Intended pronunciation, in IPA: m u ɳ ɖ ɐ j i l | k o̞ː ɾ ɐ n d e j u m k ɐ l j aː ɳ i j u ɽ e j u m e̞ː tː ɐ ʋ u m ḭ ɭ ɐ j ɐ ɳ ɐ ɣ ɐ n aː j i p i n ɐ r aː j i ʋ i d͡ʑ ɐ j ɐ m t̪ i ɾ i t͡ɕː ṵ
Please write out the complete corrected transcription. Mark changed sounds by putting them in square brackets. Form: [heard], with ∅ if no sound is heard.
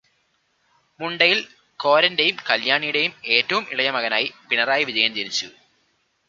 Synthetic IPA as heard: m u ɳ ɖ ɐ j i l | k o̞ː ɾ ɐ n d e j u m k ɐ l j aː ɳ i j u ɽ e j u m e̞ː tː ɐ ʋ u m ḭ ɭ ɐ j ɐ [m] ɐ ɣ ɐ n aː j i p i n ɐ r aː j i ʋ i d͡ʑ ɐ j ɐ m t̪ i ɾ i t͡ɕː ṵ